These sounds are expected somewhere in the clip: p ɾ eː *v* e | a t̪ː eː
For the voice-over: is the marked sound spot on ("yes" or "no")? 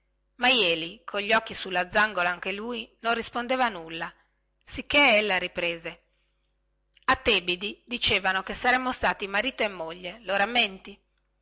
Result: no